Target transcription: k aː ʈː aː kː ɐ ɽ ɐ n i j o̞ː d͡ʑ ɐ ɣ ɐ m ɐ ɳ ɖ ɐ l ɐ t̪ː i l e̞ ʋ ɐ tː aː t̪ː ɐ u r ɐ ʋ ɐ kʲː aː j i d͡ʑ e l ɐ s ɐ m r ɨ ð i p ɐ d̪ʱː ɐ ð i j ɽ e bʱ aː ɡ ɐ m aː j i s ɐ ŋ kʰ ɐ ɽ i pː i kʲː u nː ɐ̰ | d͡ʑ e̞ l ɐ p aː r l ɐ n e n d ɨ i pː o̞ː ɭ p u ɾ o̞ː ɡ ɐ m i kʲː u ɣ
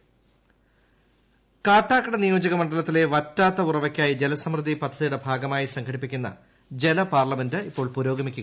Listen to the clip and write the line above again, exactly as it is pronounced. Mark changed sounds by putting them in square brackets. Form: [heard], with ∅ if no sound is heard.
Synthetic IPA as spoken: k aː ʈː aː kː ɐ ɽ ɐ n i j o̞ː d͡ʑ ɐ ɣ ɐ m ɐ ɳ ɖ ɐ l ɐ t̪ː i l e̞ ʋ ɐ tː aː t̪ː ɐ u r ɐ ʋ ɐ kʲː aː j i d͡ʑ e l ɐ s ɐ m r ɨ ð i p ɐ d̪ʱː ɐ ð i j ɽ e bʱ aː ɡ ɐ m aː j i s ɐ ŋ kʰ ɐ ɽ i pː i kʲː u nː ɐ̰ | d͡ʑ e̞ l ɐ p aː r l ɐ [m] e n d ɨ i pː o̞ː ɭ p u ɾ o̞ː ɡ ɐ m i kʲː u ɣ